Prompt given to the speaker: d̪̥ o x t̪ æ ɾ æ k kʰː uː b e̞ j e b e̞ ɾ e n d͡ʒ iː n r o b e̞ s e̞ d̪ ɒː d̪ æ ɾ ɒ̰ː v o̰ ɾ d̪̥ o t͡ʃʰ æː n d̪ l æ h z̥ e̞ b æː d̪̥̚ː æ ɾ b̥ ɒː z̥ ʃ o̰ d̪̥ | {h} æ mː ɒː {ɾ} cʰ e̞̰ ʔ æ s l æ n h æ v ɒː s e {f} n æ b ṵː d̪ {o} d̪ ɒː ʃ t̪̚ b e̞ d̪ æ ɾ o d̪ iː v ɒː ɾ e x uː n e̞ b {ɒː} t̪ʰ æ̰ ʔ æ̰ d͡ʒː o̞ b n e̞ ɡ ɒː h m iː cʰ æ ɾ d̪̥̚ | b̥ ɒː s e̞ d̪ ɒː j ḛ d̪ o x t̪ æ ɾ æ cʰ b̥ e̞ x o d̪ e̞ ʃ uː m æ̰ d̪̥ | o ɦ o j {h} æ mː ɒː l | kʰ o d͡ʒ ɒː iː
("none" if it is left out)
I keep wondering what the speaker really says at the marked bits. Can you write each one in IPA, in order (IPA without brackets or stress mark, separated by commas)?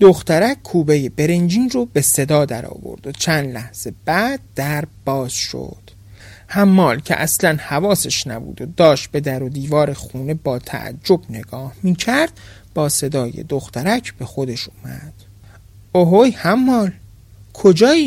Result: h, l, ʃ, o, ɒː, h